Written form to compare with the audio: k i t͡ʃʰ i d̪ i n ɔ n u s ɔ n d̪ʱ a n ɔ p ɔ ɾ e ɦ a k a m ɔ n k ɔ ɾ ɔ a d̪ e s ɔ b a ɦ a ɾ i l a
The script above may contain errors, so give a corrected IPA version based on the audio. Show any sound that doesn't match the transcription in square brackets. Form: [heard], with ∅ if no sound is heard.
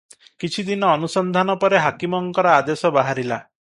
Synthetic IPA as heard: k i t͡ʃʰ i d̪ i n [ɔː] n u s ɔ n d̪ʱ a n ɔ p ɔ ɾ e ɦ a k [i] m ɔ [ŋ] k ɔ ɾ ɔ a d̪ e s ɔ b a ɦ a ɾ i l a